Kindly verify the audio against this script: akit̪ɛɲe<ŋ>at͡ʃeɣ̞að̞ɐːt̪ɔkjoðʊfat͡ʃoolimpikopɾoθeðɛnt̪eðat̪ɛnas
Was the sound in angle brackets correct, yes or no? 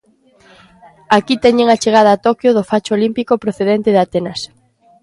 yes